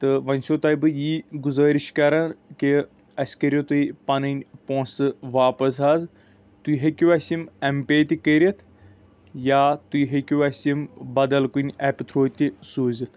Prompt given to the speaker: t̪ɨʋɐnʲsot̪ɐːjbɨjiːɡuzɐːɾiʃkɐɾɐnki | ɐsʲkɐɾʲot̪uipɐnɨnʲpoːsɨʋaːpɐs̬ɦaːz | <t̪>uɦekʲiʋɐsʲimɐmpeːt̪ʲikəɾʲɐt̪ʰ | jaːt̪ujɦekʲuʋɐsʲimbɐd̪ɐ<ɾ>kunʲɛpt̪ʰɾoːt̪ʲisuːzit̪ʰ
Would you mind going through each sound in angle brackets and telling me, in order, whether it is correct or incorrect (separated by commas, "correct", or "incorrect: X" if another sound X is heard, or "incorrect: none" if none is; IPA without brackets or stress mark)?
correct, incorrect: l